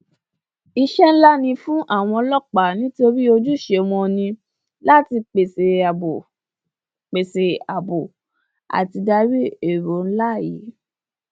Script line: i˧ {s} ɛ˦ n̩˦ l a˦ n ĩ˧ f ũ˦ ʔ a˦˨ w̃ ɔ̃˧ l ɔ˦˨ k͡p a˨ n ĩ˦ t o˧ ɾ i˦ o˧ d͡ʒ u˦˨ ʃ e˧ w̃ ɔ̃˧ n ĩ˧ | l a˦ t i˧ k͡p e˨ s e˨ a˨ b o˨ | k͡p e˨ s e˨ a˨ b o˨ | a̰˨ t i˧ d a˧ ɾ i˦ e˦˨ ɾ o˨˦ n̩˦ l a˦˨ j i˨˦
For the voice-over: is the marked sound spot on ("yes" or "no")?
no